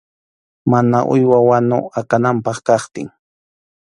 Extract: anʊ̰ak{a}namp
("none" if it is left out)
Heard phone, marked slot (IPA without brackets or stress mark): a